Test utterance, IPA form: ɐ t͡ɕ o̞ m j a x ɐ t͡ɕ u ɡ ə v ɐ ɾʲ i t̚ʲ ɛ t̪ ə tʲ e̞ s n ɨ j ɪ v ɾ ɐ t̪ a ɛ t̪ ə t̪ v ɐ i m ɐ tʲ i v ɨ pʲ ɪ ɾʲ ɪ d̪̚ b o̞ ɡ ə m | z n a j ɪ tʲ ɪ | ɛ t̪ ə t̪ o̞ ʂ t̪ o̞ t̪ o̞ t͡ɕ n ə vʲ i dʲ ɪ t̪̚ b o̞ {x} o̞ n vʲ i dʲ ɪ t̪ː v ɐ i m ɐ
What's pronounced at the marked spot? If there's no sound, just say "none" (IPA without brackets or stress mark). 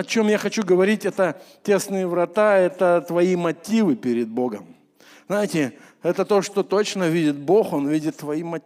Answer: x